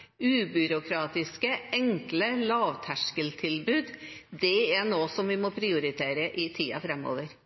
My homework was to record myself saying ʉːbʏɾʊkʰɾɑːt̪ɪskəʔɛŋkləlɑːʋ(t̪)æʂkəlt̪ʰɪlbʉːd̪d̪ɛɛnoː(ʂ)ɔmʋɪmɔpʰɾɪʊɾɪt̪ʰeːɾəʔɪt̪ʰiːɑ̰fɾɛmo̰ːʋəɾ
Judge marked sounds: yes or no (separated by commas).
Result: no, no